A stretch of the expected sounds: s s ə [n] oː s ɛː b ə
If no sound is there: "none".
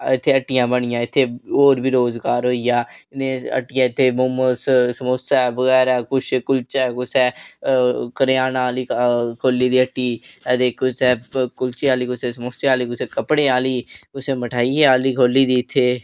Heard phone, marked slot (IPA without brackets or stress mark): m